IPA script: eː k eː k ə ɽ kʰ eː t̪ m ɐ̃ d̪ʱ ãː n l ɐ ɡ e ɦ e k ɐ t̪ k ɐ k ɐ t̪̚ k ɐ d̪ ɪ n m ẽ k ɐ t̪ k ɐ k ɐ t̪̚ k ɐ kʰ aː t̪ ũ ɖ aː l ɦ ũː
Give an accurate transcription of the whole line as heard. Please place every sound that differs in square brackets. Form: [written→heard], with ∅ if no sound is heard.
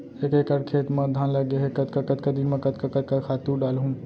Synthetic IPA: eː k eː k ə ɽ kʰ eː t̪ m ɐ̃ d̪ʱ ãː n l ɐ ɡ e ɦ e k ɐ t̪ k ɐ k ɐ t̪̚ k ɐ d̪ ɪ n m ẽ k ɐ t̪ k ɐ k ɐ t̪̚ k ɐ kʰ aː t̪ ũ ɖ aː l ɦ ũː

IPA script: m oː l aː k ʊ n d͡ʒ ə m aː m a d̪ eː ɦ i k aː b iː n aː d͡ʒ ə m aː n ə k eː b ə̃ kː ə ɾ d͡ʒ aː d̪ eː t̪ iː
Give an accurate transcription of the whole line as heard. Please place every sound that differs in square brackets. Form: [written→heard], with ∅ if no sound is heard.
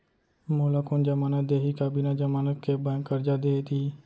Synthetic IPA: m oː l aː k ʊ n d͡ʒ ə m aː [m→n] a d̪ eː ɦ i k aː b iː n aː d͡ʒ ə m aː n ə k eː b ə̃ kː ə ɾ d͡ʒ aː d̪ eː t̪ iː

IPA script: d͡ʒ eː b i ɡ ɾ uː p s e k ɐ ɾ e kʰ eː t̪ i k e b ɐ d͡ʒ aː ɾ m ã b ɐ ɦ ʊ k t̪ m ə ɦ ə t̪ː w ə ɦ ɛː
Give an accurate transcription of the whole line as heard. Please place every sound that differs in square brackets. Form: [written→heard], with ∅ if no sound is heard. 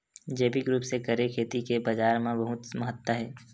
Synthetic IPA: d͡ʒ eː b i ɡ ɾ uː p s e k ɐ ɾ e kʰ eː t̪ i k e b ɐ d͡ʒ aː ɾ m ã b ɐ ɦ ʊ [k→∅] t̪ m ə ɦ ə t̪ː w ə ɦ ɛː

